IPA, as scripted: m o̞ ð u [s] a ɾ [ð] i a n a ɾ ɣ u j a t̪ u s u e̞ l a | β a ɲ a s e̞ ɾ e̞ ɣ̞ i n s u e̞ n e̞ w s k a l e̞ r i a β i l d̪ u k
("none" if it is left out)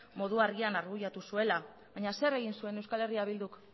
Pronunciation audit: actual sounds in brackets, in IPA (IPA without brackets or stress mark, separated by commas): none, ɣ